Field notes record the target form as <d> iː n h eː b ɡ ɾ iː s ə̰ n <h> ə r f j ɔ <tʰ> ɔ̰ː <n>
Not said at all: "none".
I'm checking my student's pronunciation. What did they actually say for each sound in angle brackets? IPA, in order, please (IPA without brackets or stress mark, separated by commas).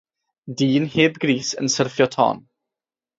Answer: d, s, tʰ, n